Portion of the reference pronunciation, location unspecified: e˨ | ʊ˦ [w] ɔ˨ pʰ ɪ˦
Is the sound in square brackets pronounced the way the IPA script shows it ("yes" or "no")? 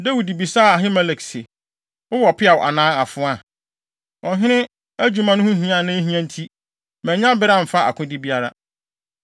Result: yes